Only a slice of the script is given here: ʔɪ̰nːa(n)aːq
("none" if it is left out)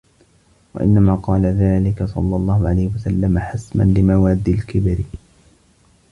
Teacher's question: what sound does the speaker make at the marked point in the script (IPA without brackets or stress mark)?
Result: m